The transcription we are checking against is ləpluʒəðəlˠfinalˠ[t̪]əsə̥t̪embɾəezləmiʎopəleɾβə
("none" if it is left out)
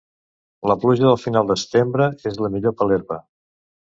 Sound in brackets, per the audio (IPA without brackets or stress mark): d̪